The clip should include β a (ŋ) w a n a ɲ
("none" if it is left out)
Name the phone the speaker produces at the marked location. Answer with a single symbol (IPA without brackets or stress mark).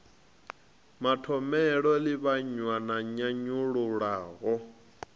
ɲ